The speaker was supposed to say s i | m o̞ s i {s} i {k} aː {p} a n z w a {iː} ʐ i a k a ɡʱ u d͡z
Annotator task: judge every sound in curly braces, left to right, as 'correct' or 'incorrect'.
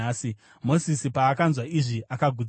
correct, incorrect, incorrect, incorrect

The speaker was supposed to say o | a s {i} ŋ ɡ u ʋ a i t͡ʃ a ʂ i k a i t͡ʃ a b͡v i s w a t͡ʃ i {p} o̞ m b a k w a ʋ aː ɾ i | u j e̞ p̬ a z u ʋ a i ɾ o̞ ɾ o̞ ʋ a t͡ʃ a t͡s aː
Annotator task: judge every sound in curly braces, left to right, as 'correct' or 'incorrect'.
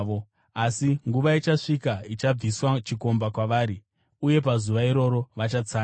correct, incorrect

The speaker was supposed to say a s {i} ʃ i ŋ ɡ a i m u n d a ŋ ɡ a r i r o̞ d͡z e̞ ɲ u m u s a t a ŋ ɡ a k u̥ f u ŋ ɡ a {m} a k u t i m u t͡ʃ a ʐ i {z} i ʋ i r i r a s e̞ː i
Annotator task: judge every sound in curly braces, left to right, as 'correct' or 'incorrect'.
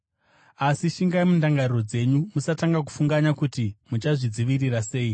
correct, incorrect, incorrect

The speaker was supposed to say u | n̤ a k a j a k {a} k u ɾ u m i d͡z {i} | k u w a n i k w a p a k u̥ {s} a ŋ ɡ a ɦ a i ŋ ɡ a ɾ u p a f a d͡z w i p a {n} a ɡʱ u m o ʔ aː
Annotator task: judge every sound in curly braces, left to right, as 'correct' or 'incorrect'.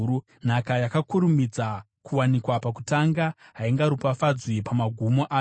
correct, incorrect, incorrect, incorrect

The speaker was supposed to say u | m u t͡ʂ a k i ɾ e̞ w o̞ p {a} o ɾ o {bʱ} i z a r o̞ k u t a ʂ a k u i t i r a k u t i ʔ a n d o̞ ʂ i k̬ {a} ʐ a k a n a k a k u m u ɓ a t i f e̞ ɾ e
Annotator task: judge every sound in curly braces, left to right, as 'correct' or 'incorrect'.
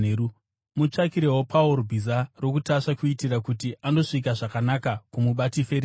correct, correct, correct

